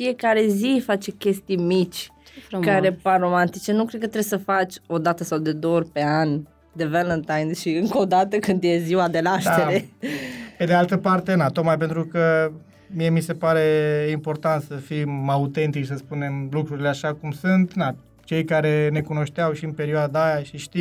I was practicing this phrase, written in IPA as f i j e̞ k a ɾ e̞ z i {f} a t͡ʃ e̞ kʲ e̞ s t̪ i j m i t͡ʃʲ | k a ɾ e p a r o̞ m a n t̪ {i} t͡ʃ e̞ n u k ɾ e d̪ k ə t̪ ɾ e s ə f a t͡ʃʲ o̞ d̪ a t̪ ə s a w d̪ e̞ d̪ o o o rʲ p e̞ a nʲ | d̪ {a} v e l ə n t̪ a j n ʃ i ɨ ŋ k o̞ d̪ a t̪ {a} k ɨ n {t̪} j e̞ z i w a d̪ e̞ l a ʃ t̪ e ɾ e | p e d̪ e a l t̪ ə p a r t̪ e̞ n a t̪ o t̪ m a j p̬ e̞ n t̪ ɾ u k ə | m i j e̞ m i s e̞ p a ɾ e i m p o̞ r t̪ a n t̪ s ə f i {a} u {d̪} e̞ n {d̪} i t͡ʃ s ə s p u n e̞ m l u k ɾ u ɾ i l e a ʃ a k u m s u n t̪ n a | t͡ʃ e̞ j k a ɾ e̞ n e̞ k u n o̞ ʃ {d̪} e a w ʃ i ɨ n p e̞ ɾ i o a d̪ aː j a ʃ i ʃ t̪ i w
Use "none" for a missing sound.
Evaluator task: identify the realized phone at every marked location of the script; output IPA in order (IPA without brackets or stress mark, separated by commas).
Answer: f, i, e, ə, d̪, a, t̪, t̪, t̪